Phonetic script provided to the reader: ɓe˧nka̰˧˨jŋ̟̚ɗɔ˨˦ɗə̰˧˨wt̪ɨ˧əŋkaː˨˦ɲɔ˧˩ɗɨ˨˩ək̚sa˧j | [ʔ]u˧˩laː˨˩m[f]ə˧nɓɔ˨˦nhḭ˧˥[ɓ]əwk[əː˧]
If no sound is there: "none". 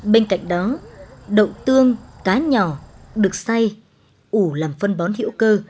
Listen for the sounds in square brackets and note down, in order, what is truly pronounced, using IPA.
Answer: ʔ, f, none, əː˧

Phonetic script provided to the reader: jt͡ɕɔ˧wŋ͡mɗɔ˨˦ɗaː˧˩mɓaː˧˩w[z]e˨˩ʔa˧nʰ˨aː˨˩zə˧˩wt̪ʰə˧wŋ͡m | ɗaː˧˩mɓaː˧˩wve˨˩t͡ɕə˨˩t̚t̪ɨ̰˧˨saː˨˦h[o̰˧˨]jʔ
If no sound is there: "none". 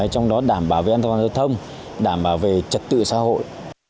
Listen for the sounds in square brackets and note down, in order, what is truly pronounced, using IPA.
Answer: v, o̰˧˨

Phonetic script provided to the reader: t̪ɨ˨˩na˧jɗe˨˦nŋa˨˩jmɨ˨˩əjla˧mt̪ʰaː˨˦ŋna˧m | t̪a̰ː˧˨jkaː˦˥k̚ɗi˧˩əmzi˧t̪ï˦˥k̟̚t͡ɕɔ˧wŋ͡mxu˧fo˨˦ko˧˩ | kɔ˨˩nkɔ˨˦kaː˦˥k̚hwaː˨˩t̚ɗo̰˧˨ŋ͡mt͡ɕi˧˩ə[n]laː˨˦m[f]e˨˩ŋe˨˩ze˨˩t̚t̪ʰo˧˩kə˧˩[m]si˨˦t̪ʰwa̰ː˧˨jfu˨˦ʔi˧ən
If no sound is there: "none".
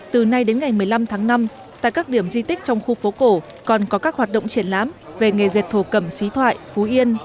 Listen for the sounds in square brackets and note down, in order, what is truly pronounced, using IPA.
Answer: n, v, m

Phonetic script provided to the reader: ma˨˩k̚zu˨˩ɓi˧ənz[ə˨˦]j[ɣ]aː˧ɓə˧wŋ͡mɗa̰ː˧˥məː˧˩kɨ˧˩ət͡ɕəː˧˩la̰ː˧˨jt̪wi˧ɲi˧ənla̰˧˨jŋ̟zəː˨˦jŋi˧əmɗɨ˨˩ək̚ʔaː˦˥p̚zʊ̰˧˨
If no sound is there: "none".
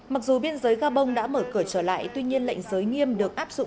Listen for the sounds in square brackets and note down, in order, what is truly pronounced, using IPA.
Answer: əː˨˦, ɣ

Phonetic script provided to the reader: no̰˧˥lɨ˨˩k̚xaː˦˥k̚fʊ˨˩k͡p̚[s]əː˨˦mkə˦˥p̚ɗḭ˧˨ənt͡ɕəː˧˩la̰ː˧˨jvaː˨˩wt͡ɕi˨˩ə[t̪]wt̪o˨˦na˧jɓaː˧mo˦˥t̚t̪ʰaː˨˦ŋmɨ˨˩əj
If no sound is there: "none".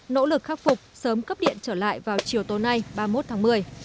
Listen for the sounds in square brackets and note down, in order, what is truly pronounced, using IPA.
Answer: s, none

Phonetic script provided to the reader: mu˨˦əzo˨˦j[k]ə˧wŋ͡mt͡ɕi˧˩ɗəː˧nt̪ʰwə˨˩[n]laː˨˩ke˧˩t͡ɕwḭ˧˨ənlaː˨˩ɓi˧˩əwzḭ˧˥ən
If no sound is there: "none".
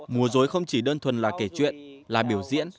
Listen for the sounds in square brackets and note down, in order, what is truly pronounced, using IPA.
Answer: x, n

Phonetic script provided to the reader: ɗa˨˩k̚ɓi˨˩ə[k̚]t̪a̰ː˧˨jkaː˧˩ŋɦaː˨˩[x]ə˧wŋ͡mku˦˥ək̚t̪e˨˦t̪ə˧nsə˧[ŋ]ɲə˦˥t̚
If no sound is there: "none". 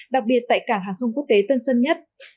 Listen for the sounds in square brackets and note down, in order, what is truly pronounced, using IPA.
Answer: t̚, x, n

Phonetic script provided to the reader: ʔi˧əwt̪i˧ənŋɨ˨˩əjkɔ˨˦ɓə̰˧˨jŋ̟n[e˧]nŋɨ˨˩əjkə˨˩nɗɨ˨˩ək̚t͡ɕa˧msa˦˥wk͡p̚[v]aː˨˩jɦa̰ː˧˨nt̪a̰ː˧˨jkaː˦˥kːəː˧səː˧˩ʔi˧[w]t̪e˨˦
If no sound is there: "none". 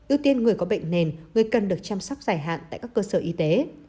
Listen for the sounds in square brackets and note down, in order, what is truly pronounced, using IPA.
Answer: e˨˩, z, none

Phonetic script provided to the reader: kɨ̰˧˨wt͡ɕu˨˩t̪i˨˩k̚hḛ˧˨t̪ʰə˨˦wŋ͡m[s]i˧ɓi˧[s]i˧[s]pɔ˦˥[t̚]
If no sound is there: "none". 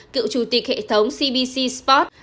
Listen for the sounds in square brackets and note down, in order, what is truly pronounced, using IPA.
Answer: s, s, s, t̚

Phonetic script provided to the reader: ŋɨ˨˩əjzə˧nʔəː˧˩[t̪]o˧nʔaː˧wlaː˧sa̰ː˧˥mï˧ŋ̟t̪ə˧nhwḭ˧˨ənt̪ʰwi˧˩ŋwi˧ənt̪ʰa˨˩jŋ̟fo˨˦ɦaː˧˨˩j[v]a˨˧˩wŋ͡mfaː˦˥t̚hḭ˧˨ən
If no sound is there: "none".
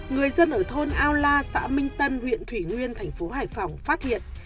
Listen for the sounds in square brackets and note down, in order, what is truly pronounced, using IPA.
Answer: t̪ʰ, f

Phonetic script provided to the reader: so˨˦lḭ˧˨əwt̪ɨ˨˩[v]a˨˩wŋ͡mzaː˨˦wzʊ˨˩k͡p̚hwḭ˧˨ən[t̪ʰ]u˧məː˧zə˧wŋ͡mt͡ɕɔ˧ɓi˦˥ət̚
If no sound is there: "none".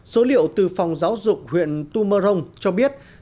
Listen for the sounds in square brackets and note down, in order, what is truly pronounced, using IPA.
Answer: f, t̪

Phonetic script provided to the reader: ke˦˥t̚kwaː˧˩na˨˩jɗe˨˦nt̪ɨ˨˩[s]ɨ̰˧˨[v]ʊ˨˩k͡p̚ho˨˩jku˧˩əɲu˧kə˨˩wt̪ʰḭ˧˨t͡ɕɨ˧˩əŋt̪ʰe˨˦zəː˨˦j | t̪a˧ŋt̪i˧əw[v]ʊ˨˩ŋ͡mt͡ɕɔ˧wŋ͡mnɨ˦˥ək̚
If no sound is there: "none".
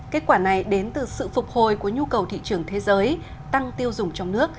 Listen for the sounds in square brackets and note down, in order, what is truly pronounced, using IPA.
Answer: s, f, z

